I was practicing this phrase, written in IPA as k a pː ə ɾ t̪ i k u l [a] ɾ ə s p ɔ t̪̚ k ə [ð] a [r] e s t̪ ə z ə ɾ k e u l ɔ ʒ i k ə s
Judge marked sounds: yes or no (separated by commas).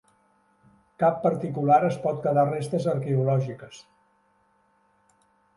yes, yes, yes